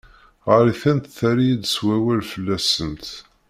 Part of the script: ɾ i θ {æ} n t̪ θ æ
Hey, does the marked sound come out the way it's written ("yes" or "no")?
yes